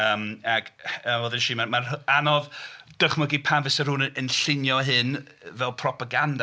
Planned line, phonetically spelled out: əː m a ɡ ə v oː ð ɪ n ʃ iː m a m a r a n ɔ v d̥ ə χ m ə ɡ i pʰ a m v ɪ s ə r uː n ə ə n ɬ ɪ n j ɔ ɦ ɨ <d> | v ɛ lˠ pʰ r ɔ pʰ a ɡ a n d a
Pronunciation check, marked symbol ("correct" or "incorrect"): incorrect